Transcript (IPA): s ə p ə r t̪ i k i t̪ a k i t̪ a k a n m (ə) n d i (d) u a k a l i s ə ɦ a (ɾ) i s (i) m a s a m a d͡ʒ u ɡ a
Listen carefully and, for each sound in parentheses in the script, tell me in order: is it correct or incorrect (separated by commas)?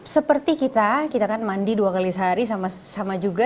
incorrect, correct, correct, incorrect